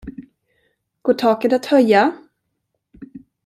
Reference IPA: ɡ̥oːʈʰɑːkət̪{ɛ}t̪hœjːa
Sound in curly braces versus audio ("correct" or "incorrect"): incorrect